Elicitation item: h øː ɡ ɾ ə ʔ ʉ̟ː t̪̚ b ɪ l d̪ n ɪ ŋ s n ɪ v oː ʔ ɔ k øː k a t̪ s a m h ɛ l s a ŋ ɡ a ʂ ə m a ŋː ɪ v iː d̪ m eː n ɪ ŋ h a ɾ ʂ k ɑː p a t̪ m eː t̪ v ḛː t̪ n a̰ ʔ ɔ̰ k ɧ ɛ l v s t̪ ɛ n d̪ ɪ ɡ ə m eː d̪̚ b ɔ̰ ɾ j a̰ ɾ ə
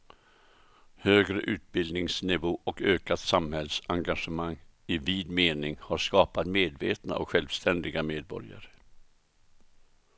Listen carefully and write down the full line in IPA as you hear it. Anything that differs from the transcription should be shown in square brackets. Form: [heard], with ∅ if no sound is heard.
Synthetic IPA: h øː ɡ ɾ ə ʔ ʉ̟ː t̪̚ b ɪ l d̪ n ɪ ŋ s n ɪ v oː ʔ ɔ k øː k a t̪ s a m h ɛ l s a ŋ ɡ a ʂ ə m a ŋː ɪ v iː d̪ m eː n ɪ ŋ h a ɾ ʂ k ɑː p a t̪ m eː [d̪] v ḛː t̪ n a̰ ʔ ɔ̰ k ɧ ɛ l v s t̪ ɛ n d̪ ɪ ɡ [a] m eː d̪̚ b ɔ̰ ɾ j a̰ ɾ ə